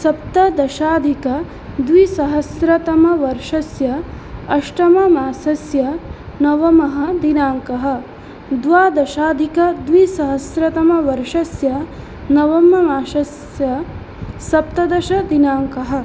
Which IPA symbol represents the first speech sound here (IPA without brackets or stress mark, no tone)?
s